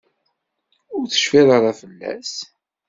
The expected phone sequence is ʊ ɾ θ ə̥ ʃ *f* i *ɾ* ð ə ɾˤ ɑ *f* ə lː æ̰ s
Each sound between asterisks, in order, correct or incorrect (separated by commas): correct, incorrect, correct